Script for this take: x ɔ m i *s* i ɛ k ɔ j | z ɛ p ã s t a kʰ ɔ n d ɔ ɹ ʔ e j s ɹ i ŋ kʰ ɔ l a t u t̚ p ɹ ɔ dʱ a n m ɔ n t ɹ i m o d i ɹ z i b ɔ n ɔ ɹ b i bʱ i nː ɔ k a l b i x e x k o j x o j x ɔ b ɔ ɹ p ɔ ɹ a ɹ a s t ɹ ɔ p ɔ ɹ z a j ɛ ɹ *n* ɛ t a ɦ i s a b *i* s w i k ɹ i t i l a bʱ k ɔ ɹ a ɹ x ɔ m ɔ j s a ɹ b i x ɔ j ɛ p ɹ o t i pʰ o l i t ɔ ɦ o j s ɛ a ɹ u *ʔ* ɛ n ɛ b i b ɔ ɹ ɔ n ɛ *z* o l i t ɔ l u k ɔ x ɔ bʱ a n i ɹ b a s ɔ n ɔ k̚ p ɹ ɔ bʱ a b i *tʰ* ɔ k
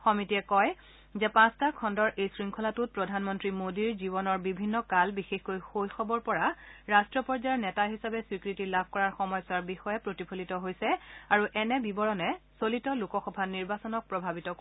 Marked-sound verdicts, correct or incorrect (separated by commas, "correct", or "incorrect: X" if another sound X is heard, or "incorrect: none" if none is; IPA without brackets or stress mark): incorrect: t, correct, incorrect: ɛ, correct, incorrect: s, incorrect: t